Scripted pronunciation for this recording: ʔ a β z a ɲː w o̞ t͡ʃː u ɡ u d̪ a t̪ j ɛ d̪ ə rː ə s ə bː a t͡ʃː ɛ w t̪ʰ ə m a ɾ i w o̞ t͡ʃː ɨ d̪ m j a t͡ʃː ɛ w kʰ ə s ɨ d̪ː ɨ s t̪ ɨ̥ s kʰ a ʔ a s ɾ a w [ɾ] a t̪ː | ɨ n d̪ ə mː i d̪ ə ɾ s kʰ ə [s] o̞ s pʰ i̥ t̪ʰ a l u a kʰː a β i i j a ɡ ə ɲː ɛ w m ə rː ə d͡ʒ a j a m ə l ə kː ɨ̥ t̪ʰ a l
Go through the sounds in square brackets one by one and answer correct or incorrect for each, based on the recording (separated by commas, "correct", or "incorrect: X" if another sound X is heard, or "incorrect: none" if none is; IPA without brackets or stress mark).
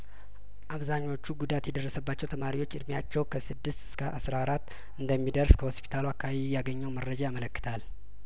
correct, incorrect: h